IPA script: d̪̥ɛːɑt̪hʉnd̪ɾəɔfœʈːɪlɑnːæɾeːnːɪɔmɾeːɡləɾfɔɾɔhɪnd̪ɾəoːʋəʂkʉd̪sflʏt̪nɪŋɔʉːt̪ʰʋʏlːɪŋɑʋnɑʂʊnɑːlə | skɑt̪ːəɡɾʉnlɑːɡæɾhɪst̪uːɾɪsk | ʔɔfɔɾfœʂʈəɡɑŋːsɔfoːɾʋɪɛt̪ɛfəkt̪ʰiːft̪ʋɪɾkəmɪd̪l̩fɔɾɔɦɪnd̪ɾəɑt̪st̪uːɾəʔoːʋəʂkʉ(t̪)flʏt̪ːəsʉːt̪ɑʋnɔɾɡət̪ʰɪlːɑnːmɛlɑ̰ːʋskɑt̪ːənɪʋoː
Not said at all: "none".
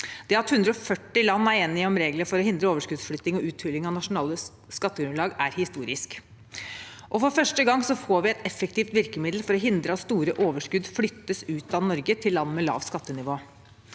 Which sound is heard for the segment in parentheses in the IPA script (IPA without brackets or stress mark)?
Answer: d̪